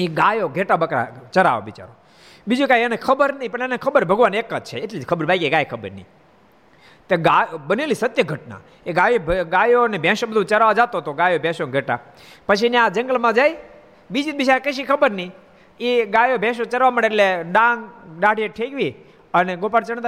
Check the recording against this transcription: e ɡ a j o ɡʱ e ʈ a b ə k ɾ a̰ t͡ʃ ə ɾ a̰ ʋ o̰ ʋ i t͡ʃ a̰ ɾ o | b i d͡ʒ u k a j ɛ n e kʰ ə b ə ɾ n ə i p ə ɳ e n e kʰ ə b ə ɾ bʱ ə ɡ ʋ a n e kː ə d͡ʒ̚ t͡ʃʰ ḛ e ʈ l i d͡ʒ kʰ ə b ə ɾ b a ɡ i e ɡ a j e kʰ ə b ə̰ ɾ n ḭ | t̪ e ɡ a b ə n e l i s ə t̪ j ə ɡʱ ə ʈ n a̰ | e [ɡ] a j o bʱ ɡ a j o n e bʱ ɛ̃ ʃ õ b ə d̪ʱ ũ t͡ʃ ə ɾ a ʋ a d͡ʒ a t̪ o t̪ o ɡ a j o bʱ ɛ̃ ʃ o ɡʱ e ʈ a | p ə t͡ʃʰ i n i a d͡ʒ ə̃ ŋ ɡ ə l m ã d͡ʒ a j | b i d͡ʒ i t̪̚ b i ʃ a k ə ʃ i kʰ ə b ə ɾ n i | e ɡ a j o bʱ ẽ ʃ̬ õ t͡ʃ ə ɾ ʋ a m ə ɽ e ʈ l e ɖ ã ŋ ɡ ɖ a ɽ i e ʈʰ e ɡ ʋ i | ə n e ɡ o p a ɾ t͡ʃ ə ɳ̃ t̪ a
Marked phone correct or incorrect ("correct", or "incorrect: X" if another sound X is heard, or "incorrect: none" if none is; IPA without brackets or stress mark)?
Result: correct